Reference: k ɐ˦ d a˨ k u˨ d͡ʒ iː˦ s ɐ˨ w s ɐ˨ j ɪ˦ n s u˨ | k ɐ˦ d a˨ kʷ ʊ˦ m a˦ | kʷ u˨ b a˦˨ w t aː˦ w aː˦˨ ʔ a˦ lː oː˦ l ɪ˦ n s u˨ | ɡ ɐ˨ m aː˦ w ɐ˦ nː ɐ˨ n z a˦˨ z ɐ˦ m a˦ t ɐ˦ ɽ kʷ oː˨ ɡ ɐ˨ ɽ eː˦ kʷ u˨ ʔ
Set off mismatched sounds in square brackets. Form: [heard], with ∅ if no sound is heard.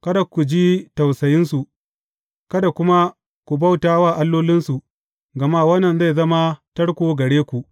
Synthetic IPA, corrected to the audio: k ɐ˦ d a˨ k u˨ d͡ʒ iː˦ [t] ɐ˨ w s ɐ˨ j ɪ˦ n s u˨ | k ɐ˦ d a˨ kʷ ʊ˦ m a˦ | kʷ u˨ b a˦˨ w t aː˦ w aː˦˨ ʔ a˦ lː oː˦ l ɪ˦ n s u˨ | ɡ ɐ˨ m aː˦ w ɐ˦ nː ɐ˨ n z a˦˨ z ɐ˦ m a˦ t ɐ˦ ɽ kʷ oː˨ ɡ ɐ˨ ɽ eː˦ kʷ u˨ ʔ